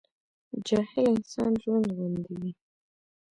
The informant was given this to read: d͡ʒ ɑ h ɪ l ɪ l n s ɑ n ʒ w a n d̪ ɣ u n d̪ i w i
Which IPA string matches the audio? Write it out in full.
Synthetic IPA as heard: d͡ʒ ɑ h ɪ l ɪ n s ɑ n ʒ w a n d̪ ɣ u n d̪ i w i